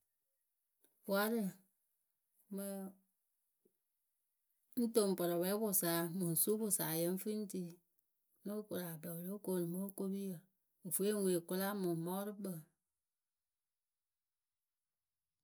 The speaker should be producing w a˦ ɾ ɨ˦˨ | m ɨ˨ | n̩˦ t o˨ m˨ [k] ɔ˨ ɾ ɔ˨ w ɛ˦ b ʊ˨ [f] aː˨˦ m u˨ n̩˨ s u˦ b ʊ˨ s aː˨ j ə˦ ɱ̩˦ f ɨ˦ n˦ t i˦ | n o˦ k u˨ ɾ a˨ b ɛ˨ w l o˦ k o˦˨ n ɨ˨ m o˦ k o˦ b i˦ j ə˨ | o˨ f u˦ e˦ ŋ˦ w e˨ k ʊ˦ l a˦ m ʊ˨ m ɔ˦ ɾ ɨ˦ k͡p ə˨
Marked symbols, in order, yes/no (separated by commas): no, no